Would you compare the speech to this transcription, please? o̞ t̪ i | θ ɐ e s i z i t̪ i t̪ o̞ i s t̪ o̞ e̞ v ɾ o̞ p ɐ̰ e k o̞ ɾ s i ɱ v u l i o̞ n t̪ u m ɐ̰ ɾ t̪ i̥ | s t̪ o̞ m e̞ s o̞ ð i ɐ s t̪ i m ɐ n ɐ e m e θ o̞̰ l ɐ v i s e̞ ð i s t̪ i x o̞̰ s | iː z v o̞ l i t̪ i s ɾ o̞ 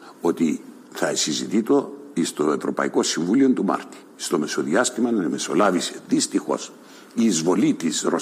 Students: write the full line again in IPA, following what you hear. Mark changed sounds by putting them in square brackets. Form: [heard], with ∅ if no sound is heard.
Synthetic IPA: o̞ t̪ i | θ ɐ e s i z i t̪ i t̪ o̞ i s t̪ o̞ e̞ v ɾ o̞ p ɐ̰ [i] k o̞ [∅] s i ɱ v u l i o̞ n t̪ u m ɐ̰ ɾ t̪ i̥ | s t̪ o̞ m e̞ s o̞ ð i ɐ s t̪ i m ɐ n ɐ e m e [s] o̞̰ l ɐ v i s e̞ ð i s t̪ i x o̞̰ s | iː z v o̞ l i t̪ i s ɾ o̞